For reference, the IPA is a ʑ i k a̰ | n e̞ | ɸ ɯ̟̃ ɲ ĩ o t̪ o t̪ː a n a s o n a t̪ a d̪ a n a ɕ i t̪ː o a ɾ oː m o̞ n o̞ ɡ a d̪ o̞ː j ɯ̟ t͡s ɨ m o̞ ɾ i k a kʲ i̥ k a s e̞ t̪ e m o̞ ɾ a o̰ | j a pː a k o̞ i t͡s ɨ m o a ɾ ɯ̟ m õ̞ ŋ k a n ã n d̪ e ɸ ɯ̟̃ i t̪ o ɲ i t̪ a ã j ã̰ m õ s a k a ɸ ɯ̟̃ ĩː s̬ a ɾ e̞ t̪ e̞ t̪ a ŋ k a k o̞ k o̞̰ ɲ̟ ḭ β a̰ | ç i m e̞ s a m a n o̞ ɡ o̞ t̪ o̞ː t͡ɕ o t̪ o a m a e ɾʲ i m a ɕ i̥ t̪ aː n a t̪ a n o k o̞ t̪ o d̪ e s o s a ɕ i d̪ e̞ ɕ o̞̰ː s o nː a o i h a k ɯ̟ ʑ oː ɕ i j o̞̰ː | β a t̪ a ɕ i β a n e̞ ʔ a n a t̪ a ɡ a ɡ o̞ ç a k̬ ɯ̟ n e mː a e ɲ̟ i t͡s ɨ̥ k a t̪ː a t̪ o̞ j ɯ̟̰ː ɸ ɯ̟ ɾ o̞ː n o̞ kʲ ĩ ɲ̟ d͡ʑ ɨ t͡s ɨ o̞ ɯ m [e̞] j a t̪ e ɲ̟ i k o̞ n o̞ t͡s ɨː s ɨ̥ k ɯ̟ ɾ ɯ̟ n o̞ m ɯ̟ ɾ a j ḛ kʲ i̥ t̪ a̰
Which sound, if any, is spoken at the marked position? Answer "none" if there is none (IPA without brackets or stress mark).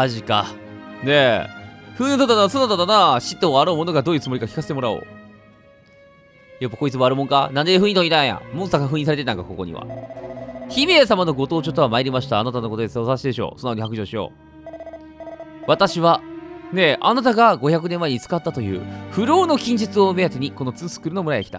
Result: e̞